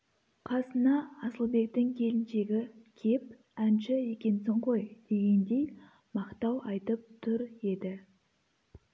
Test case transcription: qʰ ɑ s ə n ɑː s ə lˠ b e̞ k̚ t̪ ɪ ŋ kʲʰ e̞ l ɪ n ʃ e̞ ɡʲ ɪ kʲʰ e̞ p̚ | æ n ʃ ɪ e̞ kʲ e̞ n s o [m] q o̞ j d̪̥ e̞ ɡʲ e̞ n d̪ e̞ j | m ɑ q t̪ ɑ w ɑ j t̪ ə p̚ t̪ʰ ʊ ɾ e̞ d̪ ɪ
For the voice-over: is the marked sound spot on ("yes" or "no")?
no